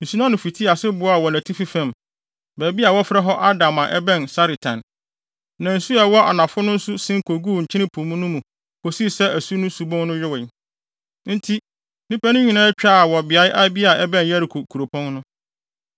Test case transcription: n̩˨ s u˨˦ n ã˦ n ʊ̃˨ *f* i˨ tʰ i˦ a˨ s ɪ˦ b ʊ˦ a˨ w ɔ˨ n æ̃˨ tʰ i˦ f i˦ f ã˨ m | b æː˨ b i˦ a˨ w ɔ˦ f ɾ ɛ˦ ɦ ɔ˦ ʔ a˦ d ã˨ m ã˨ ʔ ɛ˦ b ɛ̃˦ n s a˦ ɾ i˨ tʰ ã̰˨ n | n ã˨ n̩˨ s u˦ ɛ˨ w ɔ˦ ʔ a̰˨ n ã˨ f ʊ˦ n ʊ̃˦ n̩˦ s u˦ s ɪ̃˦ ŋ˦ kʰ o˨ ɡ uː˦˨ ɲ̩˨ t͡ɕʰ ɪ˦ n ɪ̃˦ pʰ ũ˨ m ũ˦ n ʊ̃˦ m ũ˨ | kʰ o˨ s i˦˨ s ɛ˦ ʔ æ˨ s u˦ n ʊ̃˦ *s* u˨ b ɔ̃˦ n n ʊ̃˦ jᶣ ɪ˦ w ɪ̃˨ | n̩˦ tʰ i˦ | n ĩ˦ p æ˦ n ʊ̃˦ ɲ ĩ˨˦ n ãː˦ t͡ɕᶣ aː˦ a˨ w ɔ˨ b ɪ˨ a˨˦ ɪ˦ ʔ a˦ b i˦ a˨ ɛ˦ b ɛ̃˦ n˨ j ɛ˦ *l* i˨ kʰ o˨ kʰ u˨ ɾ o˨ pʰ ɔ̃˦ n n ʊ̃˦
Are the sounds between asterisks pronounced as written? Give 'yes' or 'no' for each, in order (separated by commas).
yes, yes, no